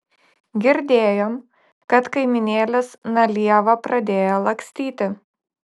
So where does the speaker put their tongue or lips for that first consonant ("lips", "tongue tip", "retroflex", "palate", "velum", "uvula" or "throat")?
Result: velum